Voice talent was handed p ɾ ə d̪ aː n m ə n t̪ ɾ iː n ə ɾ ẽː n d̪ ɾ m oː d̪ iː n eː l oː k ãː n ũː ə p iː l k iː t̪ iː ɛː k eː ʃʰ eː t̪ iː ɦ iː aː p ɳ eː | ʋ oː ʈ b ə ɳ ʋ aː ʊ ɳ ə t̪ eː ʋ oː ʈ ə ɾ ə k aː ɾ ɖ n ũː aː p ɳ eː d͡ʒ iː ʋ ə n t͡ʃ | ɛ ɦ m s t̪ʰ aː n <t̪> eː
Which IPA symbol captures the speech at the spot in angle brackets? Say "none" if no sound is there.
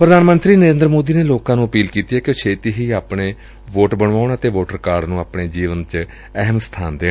d̪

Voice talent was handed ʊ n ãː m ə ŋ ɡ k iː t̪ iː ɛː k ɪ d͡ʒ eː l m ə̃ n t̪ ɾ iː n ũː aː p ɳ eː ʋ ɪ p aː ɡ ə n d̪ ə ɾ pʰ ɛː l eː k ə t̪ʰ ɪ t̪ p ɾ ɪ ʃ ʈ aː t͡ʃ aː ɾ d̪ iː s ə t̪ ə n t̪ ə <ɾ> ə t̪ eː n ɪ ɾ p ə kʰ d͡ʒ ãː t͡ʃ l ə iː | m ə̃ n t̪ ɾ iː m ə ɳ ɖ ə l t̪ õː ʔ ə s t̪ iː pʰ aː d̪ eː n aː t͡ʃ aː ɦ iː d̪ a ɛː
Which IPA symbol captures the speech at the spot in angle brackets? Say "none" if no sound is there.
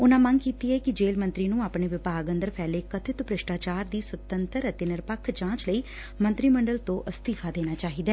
ɾ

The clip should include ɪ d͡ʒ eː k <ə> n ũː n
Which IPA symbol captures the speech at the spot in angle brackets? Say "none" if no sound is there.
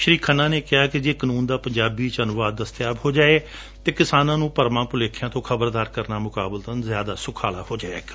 ə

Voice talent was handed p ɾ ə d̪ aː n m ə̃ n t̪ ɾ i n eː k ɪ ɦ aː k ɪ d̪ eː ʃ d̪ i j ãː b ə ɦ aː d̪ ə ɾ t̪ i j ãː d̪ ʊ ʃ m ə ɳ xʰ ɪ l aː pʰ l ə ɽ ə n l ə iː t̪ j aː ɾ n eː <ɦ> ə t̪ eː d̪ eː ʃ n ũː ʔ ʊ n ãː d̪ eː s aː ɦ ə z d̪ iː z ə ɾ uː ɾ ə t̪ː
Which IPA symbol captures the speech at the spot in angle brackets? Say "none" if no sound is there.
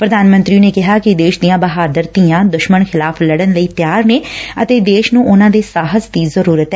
none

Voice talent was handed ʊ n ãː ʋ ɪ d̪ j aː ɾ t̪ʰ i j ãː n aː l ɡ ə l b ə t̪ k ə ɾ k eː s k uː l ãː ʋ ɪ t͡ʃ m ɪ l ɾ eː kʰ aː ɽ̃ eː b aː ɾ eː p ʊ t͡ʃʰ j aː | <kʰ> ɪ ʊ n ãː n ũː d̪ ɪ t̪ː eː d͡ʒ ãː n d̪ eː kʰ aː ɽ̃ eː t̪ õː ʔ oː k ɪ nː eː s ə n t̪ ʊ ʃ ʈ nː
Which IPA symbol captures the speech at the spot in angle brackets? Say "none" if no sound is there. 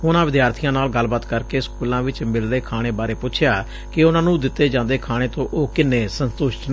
k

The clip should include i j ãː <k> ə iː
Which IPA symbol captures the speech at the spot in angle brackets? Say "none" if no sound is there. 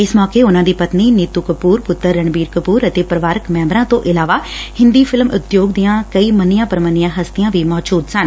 k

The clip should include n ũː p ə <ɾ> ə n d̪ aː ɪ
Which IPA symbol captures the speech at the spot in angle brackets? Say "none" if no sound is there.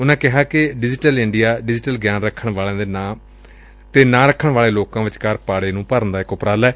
ɾ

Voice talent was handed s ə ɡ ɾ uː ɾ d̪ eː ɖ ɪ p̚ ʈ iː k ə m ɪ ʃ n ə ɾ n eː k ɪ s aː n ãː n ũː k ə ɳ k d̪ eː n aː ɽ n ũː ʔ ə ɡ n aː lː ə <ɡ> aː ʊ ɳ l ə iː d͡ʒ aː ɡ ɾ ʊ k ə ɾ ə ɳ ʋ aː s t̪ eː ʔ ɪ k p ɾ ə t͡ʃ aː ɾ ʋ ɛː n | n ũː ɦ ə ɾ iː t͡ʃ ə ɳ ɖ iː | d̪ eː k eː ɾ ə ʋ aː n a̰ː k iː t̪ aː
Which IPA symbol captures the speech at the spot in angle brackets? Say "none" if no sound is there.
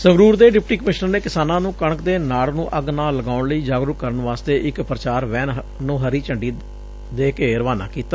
ɡ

